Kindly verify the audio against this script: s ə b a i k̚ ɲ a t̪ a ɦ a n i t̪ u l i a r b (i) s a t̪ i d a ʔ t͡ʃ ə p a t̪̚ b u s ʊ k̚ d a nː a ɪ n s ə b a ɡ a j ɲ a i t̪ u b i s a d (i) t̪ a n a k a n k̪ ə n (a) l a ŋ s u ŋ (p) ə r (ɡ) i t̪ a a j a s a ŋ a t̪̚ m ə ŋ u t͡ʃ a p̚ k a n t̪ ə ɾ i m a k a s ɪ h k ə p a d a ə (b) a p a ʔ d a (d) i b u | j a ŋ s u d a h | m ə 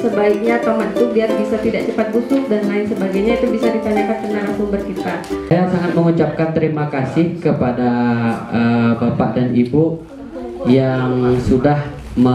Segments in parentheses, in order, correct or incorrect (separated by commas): correct, correct, correct, incorrect, incorrect, correct, incorrect